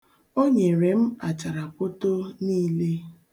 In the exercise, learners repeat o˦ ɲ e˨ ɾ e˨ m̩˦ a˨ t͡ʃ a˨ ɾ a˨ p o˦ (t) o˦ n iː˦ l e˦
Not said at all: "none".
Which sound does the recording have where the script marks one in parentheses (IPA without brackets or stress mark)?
t